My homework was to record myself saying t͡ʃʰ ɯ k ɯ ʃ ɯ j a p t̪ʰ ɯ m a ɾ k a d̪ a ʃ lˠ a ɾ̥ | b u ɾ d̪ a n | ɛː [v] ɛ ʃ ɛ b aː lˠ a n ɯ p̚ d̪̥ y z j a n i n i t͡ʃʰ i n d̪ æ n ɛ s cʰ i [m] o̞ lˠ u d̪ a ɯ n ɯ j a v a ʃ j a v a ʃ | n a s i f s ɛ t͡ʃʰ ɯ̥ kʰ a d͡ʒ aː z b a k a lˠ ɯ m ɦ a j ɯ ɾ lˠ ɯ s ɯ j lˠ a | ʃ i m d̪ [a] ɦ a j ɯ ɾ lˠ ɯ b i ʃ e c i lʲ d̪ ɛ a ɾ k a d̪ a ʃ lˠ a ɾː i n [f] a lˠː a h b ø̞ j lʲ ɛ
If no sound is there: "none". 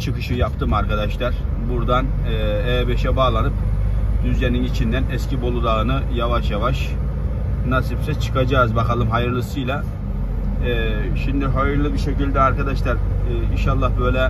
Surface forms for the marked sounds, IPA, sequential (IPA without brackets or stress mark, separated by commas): b, b, i, ʃ